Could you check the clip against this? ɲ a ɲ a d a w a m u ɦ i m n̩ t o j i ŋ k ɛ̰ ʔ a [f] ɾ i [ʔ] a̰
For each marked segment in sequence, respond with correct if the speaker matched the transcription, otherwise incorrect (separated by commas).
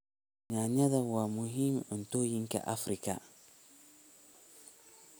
correct, incorrect